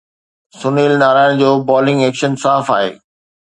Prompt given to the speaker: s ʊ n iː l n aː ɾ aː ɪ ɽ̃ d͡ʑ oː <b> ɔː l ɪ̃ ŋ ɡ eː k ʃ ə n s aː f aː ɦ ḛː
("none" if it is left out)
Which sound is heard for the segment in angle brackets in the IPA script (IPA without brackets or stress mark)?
b